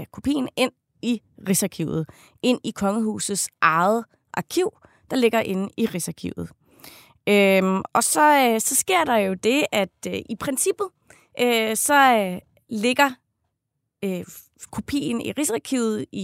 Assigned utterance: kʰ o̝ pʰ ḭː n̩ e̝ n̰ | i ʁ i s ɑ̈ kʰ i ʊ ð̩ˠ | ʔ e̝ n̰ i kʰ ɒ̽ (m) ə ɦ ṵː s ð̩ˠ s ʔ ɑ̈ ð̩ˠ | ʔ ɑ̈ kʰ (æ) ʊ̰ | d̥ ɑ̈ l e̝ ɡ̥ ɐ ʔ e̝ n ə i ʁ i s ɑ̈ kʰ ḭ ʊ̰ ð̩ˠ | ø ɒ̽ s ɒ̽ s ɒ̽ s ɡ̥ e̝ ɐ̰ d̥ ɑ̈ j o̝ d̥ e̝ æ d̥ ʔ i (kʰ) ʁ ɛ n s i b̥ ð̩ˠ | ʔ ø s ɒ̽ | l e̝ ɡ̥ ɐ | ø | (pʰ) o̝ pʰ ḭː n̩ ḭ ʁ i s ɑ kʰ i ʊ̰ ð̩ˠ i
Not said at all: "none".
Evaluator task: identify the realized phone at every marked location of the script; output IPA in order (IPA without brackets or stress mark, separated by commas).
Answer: ŋ, i, pʰ, kʰ